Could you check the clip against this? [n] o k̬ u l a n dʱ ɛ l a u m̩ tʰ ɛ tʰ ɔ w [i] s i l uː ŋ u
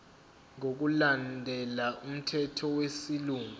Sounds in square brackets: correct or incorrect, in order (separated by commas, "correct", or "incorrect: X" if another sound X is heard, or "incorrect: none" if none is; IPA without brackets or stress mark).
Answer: incorrect: ŋ, incorrect: e